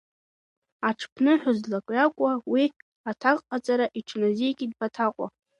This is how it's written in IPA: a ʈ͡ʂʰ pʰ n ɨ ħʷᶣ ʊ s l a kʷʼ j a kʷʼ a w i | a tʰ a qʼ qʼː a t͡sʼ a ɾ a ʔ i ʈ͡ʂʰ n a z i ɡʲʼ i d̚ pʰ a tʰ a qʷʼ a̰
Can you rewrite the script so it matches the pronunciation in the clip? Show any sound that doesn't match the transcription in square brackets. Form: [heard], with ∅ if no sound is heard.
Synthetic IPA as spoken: a ʈ͡ʂʰ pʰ n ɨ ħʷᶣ ʊ [z] l a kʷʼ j a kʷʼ a w i | a tʰ a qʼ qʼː a t͡sʼ a ɾ a ʔ i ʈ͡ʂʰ n a z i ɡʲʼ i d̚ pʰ a tʰ a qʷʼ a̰